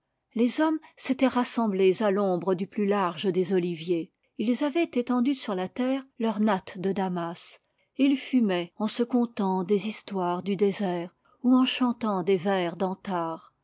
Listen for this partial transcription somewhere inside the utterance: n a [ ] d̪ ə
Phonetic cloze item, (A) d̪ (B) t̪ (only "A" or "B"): B